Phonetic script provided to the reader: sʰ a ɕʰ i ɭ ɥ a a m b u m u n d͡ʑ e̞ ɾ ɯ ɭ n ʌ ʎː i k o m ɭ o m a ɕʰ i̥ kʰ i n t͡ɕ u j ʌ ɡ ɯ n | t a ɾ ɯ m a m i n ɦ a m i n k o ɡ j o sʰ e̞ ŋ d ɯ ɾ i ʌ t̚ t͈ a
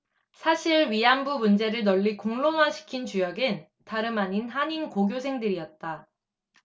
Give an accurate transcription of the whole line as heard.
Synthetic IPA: sʰ a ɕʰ i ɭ ɥ i a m b u m u n d͡ʑ e̞ ɾ ɯ ɭ n ʌ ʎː i k o ŋ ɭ o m a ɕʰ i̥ kʰ i n t͡ɕ u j ʌ ɡ ɯ n | t a ɾ ɯ m a ɲ i n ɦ a ɲ i n k o ɡ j o sʰ e̞ ŋ d ɯ ɾ i ʌ t̚ t͈ a